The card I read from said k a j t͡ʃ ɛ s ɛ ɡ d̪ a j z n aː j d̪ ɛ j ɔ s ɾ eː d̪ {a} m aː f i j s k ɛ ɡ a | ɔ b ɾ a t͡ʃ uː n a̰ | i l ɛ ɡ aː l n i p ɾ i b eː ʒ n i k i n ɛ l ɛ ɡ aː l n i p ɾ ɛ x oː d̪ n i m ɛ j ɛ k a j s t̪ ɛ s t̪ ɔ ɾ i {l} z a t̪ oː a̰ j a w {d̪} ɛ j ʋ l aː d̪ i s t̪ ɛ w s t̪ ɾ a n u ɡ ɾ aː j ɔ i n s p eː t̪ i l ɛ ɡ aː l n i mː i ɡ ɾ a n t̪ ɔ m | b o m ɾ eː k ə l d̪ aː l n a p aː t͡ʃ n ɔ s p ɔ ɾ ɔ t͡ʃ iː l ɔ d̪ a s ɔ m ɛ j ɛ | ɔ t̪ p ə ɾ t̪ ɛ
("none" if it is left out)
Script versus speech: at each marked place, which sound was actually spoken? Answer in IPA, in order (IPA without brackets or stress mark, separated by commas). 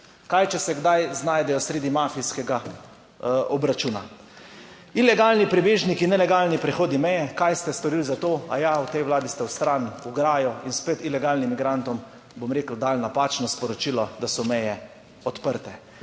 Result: i, l, t̪